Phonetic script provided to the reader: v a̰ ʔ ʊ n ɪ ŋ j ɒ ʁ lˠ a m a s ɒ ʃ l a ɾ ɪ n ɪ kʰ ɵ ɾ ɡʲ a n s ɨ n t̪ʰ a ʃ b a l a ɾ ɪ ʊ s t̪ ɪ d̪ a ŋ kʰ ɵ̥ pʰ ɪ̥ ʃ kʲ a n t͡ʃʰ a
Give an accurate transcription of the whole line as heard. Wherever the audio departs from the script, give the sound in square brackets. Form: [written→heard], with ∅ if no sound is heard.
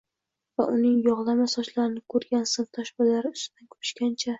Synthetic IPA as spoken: v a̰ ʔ ʊ n ɪ ŋ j ɒ ʁ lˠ a m a s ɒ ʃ l a ɾ ɪ n ɪ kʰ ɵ ɾ ɡʲ a n s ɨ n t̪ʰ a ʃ b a l a ɾ ɪ ʊ s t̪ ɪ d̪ a [ŋ→n] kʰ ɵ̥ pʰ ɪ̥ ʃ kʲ a n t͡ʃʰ a

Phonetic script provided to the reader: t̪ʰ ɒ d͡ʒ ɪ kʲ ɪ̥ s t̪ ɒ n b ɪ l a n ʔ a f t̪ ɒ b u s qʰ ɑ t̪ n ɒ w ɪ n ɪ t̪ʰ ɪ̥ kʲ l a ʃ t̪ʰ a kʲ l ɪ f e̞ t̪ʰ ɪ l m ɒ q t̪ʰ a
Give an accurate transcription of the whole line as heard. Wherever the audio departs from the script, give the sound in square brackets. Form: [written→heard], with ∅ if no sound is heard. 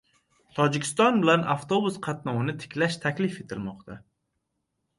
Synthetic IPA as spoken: t̪ʰ ɒ d͡ʒ ɪ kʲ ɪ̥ s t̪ ɒ n b ɪ l a n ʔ a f t̪ [ɒ→o] b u s qʰ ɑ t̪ n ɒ w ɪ n ɪ t̪ʰ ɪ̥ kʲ l a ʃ t̪ʰ a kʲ l ɪ f e̞ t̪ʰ ɪ l m ɒ q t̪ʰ a

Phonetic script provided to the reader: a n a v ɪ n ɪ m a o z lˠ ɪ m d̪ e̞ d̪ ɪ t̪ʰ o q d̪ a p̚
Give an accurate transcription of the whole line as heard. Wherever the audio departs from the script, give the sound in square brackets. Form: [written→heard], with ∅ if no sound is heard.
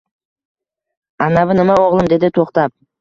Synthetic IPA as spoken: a n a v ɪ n ɪ m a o [z→ʁ] lˠ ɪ m d̪ e̞ d̪ ɪ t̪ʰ o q [d̪→t̪] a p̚

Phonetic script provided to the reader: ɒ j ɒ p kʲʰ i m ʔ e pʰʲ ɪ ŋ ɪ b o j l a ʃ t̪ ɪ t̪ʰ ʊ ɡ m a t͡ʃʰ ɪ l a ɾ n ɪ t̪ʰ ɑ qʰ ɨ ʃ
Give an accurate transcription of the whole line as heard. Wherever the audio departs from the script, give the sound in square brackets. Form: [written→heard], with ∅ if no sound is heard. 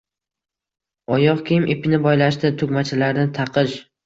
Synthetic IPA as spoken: ɒ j ɒ [p→q] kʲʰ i m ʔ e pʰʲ ɪ [ŋ→n] ɪ b [o→ɒ] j l a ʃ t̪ ɪ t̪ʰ ʊ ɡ m a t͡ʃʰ ɪ l a ɾ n ɪ t̪ʰ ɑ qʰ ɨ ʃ

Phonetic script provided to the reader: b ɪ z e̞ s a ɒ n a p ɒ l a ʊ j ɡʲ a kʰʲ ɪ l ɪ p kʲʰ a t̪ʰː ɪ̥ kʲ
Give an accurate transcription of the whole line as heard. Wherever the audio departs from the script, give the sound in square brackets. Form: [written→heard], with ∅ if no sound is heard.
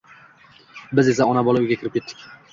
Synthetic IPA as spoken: b ɪ z e̞ s a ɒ n a [p→b] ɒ l a ʊ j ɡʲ a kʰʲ ɪ [l→ɾ] ɪ p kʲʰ [a→e] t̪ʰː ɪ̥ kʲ

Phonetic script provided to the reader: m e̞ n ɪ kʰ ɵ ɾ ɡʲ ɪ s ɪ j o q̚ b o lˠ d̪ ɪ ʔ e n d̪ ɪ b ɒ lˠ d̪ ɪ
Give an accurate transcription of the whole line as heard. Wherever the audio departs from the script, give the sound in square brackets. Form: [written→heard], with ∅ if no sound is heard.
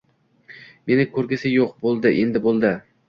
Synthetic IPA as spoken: m e̞ n ɪ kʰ ɵ ɾ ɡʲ ɪ s ɪ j o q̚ b o lˠ d̪ ɪ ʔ e n d̪ ɪ b [ɒ→o] lˠ d̪ ɪ

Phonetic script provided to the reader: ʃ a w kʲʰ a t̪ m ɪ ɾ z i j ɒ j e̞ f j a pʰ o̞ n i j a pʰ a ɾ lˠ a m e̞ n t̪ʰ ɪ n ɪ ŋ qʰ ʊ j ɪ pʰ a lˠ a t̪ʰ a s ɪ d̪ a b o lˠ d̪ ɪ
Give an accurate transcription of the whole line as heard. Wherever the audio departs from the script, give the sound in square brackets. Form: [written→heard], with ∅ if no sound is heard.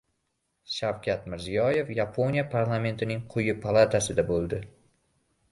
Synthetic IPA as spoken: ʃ a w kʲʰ a t̪ m ɪ ɾ z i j ɒ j e̞ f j a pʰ o̞ n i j a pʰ a ɾ lˠ a m e̞ n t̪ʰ ɪ n ɪ ŋ qʰ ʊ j ɪ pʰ a lˠ a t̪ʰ a s ɪ d̪ a b o lˠ d̪ ɪ

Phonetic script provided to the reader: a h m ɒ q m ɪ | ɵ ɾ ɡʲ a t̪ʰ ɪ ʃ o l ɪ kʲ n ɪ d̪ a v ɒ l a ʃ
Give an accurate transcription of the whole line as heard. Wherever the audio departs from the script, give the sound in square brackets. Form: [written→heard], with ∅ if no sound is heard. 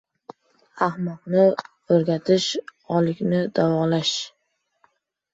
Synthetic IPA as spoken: a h m ɒ q [m→n] ɪ | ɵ ɾ ɡʲ a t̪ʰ ɪ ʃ [o→ɒ] l ɪ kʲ n ɪ d̪ a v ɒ l a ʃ

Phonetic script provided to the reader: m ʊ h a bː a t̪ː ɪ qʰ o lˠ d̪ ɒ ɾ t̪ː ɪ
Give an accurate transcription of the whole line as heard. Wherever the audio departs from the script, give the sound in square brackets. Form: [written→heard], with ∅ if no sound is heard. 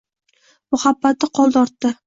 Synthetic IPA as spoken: m ʊ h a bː a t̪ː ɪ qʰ [o→ɒ] lˠ d̪ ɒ ɾ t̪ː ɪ

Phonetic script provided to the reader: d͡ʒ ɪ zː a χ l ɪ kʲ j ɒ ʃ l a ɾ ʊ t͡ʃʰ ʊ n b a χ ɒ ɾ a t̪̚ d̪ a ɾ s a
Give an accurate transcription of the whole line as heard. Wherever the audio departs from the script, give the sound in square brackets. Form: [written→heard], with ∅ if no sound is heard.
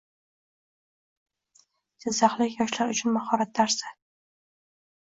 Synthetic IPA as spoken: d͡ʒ ɪ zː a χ l ɪ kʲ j ɒ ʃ l a ɾ ʊ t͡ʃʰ ʊ n [b→m] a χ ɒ ɾ a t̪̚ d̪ a ɾ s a

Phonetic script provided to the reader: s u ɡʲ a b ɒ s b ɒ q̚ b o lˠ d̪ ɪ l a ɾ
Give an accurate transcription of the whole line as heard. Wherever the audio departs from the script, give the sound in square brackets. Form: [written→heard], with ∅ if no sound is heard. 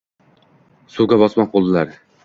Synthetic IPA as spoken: s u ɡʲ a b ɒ s [b→m] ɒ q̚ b o lˠ d̪ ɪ l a ɾ

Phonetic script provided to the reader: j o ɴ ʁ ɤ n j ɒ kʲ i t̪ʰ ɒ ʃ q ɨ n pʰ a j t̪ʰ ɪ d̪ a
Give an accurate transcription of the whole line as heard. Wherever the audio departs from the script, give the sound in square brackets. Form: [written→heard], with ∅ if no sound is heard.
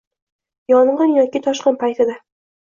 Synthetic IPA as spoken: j [o→ɒ] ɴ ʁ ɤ n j ɒ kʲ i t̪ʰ ɒ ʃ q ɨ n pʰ a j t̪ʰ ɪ d̪ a

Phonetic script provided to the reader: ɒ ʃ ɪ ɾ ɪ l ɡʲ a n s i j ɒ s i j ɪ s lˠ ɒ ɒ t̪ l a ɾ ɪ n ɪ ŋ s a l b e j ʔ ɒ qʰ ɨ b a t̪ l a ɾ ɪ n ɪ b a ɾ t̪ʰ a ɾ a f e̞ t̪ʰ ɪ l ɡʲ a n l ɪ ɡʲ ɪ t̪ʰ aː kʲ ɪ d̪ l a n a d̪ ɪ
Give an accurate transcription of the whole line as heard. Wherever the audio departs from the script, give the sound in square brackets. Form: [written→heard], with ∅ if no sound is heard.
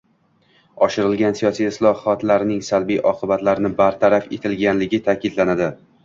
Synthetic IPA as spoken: ɒ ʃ ɪ ɾ ɪ l ɡʲ a n s i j ɒ s i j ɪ s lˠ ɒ ɒ t̪ l a ɾ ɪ n ɪ ŋ s a l b [e→i] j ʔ ɒ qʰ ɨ b a t̪ l a ɾ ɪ n ɪ b a ɾ t̪ʰ a ɾ a f e̞ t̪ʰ ɪ l ɡʲ a n l ɪ ɡʲ ɪ t̪ʰ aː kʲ ɪ d̪ l a n a d̪ ɪ

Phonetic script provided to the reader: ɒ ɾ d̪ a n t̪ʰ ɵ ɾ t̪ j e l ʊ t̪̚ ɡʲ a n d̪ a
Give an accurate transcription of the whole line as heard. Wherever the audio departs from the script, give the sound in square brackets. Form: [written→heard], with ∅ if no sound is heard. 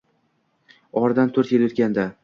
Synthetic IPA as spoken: ɒ ɾ d̪ a n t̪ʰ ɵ ɾ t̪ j e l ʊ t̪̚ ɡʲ a n d̪ a

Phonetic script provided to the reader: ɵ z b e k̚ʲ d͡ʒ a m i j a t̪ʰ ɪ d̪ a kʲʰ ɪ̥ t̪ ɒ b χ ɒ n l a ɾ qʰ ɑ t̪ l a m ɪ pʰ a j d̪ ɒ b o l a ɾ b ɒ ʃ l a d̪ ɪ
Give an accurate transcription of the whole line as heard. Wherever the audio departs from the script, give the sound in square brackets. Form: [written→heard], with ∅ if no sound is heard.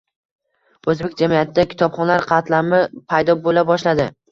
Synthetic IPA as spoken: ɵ z b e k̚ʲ d͡ʒ a m i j a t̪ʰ ɪ d̪ a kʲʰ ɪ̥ t̪ ɒ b χ ɒ n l a ɾ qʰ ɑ t̪ l a m ɪ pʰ a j d̪ ɒ b o l a [ɾ→∅] b ɒ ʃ l a d̪ ɪ

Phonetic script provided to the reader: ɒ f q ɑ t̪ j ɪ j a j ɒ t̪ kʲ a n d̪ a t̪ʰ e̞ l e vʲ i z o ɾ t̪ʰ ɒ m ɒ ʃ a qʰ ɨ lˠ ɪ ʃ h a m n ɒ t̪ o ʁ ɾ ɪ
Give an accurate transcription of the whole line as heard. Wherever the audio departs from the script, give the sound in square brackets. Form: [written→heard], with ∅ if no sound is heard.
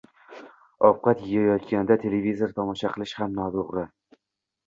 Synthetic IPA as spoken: ɒ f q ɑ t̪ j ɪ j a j ɒ t̪ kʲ a n d̪ a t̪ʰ e̞ l e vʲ i z o ɾ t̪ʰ ɒ m ɒ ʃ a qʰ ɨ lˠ ɪ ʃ h a m n ɒ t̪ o ʁ ɾ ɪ

